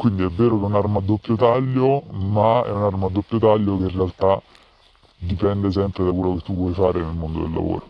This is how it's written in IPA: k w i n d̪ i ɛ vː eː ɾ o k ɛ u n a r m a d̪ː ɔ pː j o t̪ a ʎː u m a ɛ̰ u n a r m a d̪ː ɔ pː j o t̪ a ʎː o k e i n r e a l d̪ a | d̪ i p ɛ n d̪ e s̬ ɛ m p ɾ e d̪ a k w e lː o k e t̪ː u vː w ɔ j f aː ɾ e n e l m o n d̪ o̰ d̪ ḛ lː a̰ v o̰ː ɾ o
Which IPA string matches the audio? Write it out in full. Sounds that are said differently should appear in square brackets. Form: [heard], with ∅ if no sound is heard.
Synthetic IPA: k w i n d̪ i ɛ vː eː ɾ o k ɛ u n a r m a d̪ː [o] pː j o t̪ a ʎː [o] m a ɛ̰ u n a r m a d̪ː [o] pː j o t̪ a ʎː o k e i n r e a l [t̪] a | d̪ i p ɛ n d̪ e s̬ ɛ m p ɾ e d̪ a k w e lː o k e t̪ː u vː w ɔ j f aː ɾ e n e l m o n d̪ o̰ d̪ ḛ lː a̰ v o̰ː ɾ o